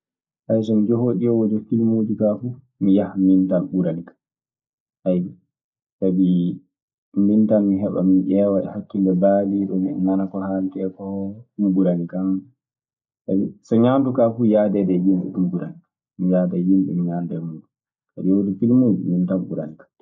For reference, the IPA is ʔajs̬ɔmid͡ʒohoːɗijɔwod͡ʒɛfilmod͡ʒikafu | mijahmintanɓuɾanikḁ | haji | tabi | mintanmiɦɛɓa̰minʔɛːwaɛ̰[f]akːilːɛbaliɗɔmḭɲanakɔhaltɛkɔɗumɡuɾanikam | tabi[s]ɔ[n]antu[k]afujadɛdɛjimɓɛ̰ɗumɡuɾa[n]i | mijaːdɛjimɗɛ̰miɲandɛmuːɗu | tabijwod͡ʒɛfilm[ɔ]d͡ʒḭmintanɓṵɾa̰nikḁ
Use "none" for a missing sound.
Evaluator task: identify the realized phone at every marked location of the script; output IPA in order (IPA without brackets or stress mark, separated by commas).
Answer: h, s, ɲ, k, n, o